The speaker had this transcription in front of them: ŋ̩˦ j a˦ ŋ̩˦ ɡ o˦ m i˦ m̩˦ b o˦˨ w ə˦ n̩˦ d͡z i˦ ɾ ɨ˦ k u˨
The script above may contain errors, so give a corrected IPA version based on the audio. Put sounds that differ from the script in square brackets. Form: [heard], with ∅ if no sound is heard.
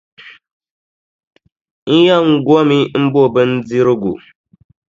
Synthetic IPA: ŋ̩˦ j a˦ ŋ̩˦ ɡ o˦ m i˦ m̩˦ b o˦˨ [b] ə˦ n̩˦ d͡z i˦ ɾ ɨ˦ [ɡ] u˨